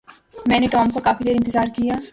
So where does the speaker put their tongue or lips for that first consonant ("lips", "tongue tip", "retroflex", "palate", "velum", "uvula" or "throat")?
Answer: lips